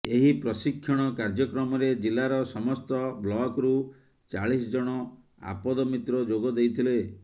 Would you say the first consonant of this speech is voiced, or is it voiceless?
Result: voiced